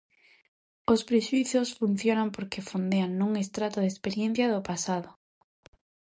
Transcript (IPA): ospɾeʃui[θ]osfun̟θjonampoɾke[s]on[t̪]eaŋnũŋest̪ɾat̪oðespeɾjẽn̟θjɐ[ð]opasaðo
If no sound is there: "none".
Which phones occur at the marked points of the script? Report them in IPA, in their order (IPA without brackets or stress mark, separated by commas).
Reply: θ, f, d̪, ð